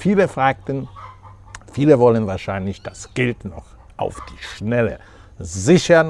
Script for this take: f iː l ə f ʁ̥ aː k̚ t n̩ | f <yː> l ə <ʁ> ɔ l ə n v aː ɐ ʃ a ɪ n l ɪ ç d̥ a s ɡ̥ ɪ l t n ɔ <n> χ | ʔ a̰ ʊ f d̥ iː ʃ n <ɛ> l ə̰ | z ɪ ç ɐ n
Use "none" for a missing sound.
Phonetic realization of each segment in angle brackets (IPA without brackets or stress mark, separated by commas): iː, v, none, ɛ